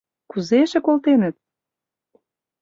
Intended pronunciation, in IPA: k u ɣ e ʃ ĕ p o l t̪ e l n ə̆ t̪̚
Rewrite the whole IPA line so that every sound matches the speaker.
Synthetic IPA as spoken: k u z e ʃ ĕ k o l t̪ e n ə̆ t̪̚